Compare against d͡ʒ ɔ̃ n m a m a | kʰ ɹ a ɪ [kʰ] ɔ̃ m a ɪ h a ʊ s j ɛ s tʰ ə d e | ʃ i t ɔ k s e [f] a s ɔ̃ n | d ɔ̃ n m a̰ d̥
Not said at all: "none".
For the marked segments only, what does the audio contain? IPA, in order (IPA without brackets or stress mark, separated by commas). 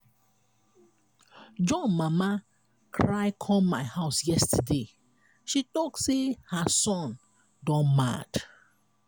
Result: kʰ, h